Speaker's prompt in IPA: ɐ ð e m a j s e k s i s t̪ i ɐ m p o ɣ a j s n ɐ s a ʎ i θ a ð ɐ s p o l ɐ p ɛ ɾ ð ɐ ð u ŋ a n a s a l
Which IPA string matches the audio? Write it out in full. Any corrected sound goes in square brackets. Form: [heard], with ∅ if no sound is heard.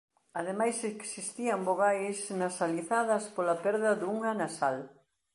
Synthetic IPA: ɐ ð e m a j s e k s i s t̪ i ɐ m [b] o ɣ a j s n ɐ s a [l] i θ a ð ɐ s p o l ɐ p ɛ ɾ ð ɐ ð u ŋ a n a s a l